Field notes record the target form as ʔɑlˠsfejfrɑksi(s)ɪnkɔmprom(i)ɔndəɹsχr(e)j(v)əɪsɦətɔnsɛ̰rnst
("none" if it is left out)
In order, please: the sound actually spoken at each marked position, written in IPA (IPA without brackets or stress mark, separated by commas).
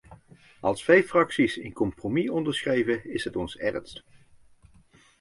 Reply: s, i, e, v